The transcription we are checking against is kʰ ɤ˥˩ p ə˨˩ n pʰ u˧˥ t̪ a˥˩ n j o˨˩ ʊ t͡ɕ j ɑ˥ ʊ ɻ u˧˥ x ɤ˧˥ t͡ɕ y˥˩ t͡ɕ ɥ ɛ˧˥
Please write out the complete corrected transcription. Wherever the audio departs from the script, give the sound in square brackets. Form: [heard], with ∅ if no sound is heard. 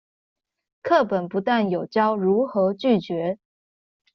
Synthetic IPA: kʰ ɤ˥˩ p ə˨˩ n [p] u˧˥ t̪ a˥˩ n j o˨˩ ʊ t͡ɕ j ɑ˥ ʊ ɻ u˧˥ x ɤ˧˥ t͡ɕ y˥˩ t͡ɕ ɥ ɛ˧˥